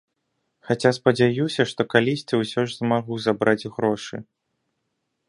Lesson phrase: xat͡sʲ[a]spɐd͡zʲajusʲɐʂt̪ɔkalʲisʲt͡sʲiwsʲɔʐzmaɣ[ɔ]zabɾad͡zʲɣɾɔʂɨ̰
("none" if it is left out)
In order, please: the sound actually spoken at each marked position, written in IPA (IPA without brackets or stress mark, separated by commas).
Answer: a, u